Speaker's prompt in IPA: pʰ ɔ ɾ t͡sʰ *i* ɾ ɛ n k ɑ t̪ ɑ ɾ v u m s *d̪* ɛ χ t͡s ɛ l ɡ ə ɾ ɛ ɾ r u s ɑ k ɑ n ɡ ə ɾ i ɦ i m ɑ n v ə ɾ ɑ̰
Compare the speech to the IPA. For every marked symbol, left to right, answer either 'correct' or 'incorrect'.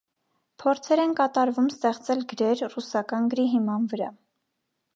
incorrect, incorrect

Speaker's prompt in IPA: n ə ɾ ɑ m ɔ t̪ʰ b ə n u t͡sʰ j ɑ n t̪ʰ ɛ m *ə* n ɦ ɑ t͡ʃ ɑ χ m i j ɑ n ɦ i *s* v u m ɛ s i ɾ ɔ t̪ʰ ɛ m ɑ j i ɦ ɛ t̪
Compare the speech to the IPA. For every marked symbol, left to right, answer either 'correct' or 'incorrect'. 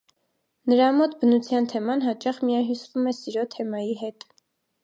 incorrect, correct

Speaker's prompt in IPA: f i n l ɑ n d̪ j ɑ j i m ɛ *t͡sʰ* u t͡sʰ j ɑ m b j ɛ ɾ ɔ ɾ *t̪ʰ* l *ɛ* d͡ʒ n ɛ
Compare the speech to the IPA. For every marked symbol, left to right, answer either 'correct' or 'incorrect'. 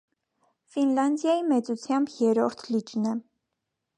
incorrect, correct, incorrect

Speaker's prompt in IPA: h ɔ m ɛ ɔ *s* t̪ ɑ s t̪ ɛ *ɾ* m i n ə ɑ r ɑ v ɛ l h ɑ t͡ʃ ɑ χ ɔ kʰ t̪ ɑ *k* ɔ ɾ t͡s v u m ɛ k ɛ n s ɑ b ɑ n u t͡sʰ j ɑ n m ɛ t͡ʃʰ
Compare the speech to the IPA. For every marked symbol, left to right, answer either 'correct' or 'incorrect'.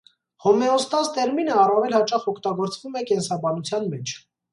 correct, correct, incorrect

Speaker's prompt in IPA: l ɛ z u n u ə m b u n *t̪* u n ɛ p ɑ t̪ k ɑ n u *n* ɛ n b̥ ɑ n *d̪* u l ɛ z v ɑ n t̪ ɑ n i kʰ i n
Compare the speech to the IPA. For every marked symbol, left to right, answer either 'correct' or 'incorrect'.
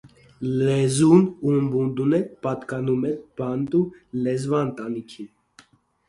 incorrect, incorrect, incorrect

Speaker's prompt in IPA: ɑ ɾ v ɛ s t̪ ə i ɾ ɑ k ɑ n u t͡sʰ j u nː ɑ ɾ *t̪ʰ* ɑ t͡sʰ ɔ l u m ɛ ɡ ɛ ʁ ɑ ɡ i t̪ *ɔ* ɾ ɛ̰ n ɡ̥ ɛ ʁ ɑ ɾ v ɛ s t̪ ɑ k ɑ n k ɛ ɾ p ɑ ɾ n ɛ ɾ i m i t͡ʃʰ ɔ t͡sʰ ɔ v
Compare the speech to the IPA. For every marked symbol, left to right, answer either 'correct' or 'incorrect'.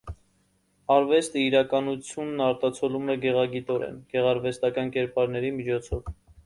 incorrect, correct

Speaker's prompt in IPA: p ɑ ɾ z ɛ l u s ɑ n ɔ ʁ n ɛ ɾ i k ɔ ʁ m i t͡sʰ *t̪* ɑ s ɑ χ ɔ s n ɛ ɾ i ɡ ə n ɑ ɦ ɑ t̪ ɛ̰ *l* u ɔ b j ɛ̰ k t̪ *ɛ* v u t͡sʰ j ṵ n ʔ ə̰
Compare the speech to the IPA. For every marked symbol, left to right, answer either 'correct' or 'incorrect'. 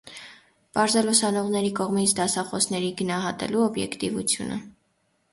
incorrect, correct, incorrect

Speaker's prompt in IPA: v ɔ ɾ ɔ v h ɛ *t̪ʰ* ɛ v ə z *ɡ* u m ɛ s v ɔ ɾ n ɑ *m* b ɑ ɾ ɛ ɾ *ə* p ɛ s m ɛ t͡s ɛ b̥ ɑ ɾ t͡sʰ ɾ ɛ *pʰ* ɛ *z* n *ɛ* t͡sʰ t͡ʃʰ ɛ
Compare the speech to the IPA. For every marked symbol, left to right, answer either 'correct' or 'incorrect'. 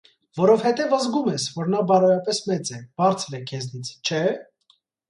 incorrect, correct, incorrect, incorrect, incorrect, correct, incorrect

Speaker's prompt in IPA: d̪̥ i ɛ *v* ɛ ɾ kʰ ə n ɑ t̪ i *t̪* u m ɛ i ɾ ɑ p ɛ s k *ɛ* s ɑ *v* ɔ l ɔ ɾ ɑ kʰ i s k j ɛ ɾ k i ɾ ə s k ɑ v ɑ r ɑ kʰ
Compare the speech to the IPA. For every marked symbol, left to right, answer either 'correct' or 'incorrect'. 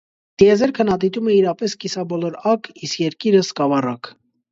incorrect, correct, incorrect, incorrect

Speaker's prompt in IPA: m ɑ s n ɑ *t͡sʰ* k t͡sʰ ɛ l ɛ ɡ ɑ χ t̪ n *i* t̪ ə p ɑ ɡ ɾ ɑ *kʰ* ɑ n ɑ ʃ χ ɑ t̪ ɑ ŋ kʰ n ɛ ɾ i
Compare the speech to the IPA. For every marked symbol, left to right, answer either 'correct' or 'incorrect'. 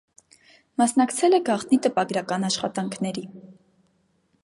incorrect, correct, incorrect

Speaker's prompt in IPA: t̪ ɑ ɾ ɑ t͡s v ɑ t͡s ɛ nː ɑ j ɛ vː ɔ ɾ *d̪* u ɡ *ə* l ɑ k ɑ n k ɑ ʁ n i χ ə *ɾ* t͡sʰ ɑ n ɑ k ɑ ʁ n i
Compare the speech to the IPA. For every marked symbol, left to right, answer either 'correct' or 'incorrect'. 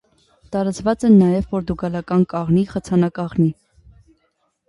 correct, incorrect, incorrect

